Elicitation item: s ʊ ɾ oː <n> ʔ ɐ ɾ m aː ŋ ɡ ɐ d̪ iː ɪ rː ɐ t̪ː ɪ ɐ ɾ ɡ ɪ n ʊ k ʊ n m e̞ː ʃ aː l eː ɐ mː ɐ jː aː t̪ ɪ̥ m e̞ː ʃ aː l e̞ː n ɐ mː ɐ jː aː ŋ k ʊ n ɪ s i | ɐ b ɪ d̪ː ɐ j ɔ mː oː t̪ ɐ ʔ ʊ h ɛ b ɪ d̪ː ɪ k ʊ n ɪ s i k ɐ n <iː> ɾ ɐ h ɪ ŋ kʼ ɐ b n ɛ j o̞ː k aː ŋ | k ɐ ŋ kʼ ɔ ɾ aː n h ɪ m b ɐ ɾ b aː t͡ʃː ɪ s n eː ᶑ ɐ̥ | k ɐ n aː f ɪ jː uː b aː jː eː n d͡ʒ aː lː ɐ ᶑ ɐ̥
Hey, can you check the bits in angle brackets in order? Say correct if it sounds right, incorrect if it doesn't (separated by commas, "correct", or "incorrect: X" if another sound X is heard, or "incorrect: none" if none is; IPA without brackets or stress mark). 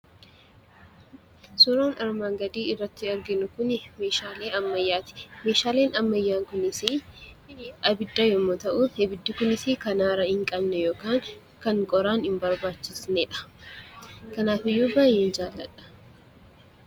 correct, incorrect: aː